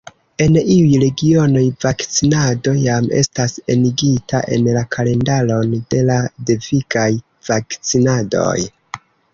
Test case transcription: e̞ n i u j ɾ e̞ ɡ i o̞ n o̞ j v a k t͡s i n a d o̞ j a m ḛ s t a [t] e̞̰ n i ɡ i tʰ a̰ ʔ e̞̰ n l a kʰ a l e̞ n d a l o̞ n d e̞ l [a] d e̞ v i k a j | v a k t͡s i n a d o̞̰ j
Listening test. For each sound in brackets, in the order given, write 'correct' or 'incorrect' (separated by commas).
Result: incorrect, correct